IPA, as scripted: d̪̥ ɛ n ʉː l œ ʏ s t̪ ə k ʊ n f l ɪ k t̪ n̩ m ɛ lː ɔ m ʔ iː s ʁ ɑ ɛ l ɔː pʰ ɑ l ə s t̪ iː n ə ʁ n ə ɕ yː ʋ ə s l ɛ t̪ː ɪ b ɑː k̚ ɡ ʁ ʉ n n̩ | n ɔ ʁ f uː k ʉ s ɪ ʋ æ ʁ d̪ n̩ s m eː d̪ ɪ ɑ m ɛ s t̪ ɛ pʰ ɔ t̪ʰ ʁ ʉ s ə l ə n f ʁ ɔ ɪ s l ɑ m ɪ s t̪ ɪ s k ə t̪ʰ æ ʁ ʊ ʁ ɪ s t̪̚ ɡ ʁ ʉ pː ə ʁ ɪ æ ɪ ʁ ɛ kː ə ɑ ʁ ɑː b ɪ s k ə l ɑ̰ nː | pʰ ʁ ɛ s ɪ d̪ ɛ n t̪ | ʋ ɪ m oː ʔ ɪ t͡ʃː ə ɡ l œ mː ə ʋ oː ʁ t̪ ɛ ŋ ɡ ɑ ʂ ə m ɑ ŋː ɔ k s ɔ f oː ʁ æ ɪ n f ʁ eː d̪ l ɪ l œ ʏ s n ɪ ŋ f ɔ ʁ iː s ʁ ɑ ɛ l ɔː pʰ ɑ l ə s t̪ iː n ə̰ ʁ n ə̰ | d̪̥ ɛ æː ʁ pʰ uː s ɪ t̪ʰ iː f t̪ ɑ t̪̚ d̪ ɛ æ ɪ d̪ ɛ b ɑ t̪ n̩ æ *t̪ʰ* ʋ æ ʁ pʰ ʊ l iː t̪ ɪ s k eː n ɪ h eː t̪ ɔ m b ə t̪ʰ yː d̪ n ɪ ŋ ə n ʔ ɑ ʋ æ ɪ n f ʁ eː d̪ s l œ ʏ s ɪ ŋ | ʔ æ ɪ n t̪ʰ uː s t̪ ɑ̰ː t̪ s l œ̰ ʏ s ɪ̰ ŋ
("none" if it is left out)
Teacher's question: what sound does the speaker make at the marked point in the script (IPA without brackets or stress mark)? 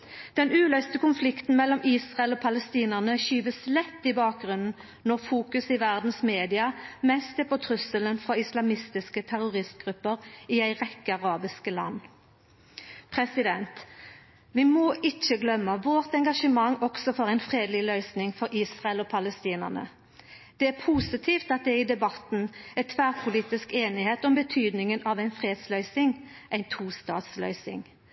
t̪ʰ